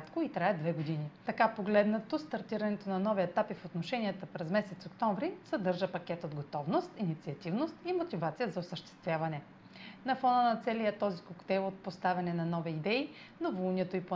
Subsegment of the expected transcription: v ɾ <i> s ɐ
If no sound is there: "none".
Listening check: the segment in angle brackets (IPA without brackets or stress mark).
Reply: i